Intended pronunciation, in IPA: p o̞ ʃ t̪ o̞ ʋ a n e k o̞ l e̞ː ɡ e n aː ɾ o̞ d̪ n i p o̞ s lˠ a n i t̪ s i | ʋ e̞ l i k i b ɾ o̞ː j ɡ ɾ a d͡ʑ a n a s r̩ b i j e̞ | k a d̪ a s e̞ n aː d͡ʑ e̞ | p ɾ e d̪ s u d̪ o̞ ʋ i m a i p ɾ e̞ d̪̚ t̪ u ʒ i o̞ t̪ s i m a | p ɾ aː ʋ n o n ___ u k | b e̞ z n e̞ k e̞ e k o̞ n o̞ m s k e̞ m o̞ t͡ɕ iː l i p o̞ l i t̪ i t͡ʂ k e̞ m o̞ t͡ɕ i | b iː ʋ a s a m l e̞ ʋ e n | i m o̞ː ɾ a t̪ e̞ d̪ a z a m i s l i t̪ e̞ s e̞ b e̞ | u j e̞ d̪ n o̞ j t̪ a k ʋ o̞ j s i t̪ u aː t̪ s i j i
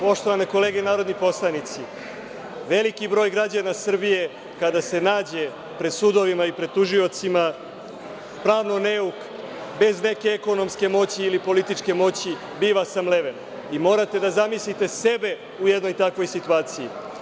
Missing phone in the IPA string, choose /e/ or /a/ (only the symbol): e